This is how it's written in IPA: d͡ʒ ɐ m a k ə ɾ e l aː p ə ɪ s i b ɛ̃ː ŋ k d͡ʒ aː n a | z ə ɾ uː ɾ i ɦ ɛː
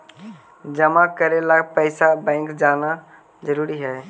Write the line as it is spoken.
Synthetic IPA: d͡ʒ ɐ m a k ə ɾ e l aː p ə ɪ s a b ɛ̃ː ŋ k d͡ʒ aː n a | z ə ɾ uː ɾ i ɦ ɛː